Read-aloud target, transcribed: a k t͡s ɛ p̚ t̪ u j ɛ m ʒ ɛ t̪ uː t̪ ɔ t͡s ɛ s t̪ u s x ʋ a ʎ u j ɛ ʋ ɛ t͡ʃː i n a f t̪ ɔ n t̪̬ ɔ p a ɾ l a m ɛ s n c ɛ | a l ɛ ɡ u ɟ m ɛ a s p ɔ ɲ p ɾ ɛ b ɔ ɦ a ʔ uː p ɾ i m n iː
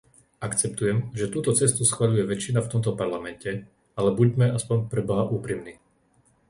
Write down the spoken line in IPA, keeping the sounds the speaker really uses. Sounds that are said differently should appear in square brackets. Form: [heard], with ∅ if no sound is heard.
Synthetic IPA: a k t͡s ɛ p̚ t̪ u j ɛ m ʒ ɛ t̪ uː t̪ ɔ t͡s ɛ s t̪ u s x ʋ a ʎ u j ɛ ʋ ɛ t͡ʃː i n a f t̪ ɔ [m] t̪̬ ɔ p a ɾ l a m ɛ [∅] n c ɛ | a l ɛ [b] u ɟ m ɛ a s p ɔ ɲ p ɾ ɛ b ɔ ɦ a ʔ uː p ɾ i m n iː